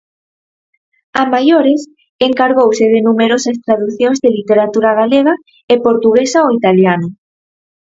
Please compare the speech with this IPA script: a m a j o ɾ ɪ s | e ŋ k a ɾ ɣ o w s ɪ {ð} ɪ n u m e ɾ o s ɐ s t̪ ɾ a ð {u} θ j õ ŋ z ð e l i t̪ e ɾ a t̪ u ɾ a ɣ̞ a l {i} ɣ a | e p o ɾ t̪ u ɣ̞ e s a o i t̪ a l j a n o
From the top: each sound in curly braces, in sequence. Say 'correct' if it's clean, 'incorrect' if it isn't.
correct, correct, incorrect: e

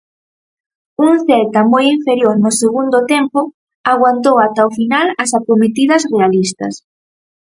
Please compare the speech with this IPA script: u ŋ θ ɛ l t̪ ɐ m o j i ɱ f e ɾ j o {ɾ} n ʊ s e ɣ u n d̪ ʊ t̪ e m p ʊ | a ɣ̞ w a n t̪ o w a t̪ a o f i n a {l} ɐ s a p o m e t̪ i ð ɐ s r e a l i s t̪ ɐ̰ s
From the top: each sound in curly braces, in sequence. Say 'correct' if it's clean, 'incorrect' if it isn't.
correct, correct

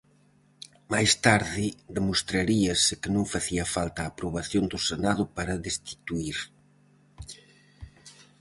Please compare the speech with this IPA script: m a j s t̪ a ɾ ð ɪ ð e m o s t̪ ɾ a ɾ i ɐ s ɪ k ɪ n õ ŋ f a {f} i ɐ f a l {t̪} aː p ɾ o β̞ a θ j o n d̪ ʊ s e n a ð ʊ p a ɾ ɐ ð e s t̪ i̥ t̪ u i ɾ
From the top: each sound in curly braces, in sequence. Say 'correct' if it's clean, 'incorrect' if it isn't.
incorrect: θ, correct

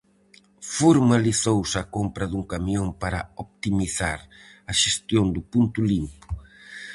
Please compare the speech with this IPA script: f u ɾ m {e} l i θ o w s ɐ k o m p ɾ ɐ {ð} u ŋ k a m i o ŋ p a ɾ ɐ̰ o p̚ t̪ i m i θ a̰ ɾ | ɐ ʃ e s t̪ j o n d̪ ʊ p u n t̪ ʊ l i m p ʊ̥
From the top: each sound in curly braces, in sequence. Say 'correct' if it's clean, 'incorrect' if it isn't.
incorrect: a, correct

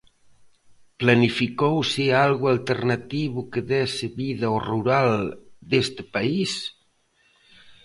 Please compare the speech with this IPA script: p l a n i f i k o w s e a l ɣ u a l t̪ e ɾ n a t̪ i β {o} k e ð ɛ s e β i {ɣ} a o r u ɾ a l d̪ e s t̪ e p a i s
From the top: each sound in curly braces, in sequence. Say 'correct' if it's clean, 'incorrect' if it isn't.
incorrect: u, incorrect: ð

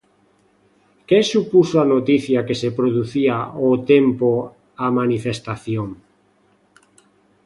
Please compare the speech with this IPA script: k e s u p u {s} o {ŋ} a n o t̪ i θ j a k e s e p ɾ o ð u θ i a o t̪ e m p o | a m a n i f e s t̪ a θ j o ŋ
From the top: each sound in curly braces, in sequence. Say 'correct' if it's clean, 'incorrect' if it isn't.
correct, incorrect: none

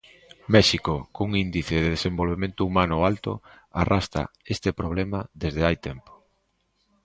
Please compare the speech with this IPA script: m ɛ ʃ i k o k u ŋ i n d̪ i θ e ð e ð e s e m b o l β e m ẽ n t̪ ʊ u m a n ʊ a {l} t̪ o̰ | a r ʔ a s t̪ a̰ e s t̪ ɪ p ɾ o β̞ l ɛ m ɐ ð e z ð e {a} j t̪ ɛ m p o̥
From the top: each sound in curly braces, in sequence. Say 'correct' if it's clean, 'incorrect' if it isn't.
correct, correct

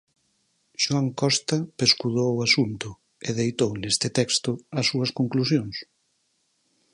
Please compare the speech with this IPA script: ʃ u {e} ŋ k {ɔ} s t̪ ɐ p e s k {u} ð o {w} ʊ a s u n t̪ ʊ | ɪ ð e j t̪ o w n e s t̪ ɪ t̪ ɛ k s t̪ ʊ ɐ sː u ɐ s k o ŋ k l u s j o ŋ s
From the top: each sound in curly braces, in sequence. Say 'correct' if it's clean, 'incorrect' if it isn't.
incorrect: a, correct, correct, correct

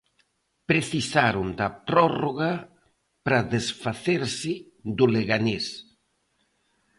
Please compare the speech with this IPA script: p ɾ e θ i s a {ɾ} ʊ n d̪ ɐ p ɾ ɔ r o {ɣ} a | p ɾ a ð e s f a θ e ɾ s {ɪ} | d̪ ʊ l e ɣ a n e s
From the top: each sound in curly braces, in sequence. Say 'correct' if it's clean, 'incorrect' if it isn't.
correct, correct, correct

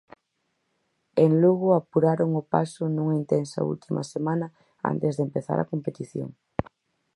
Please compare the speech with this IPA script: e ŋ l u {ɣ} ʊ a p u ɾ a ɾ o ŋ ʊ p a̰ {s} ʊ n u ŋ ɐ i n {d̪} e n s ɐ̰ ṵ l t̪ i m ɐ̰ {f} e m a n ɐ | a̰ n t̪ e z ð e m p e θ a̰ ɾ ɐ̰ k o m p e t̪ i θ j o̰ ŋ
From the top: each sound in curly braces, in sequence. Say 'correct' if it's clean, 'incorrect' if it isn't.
correct, correct, incorrect: t̪, incorrect: s

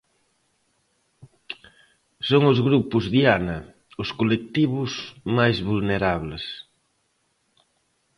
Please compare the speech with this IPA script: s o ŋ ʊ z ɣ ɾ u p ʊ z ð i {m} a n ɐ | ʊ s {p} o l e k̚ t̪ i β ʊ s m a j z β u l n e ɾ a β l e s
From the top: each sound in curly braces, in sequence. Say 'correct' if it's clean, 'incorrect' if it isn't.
incorrect: none, incorrect: k

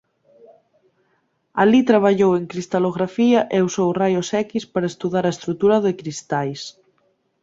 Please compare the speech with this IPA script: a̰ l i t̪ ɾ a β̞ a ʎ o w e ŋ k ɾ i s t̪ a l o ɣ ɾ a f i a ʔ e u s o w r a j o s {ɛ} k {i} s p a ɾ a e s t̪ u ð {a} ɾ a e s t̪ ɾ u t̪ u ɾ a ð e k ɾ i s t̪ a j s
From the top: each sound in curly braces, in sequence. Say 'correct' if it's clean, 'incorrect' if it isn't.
correct, correct, correct

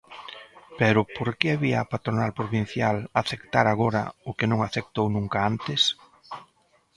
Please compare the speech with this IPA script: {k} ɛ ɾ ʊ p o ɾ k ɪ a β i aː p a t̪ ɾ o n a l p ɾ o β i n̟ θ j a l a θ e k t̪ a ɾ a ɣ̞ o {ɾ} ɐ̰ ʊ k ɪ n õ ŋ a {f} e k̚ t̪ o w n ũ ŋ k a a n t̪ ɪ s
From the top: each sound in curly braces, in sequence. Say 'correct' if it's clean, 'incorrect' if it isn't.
incorrect: p, correct, incorrect: θ

